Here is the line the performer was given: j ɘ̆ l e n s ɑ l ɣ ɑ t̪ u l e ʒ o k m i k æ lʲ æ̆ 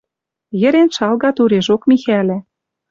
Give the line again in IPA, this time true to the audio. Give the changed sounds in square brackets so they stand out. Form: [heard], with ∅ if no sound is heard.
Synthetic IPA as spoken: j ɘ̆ [ɾ] e n [ʃ] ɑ l ɣ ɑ t̪ u [ɾ] e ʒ o k m i [x] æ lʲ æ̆